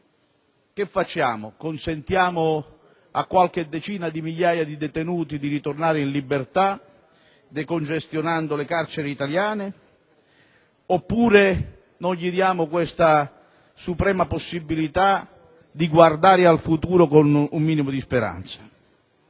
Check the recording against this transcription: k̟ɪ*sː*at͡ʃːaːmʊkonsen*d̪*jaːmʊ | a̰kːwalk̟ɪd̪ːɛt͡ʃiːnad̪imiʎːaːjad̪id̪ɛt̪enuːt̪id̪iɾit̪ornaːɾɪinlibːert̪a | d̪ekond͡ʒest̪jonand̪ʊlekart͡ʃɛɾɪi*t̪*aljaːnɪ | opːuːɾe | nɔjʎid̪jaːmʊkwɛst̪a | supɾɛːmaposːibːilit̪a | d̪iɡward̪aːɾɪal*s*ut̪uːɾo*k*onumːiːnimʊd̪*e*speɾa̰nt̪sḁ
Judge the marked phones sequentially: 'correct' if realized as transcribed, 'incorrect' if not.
incorrect, incorrect, correct, incorrect, correct, incorrect

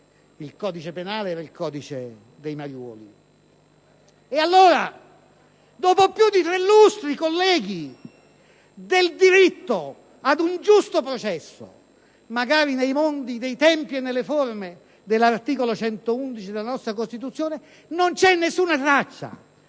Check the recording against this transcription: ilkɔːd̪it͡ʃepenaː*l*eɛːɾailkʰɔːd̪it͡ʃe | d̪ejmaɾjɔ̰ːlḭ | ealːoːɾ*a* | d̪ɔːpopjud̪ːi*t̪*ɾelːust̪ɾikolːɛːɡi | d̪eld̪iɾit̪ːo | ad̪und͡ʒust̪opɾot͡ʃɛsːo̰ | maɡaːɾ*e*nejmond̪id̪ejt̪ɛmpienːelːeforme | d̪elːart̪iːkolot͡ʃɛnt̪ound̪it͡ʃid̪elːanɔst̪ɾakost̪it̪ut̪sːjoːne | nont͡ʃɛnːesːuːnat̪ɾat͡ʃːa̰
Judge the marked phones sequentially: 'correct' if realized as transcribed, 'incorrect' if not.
correct, correct, correct, incorrect

